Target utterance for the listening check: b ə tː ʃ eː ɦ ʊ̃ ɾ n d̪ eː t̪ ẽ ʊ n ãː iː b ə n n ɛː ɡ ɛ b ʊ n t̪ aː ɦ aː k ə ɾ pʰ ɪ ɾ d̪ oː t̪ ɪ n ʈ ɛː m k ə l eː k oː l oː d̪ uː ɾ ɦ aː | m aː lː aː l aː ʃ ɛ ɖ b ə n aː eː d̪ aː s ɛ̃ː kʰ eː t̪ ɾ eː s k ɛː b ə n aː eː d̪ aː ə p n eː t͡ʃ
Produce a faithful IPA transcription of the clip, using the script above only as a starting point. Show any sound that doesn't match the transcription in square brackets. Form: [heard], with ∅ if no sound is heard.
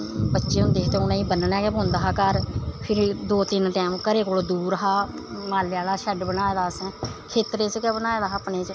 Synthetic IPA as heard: b ə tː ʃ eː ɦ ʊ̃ [∅] n d̪ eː t̪ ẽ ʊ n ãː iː b ə n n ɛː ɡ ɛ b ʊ n [d̪] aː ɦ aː k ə ɾ pʰ ɪ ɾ d̪ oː t̪ ɪ n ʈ ɛː m k ə [ɾ] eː k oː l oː d̪ uː ɾ ɦ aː | m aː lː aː l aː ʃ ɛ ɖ b ə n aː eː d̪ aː s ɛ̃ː kʰ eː t̪ ɾ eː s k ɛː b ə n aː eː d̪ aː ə p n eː t͡ʃ